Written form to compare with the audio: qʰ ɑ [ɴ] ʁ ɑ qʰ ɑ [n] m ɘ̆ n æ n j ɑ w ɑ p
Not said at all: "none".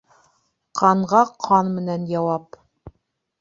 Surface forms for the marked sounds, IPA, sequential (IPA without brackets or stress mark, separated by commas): ɴ, n